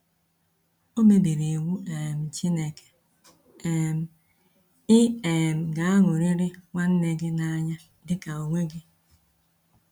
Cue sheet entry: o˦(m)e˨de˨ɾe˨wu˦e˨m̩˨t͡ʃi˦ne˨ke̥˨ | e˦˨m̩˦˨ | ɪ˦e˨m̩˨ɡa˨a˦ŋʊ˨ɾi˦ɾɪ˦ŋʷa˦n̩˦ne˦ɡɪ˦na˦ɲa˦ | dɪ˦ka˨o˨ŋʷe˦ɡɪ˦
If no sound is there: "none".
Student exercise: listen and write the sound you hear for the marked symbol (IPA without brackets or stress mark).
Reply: m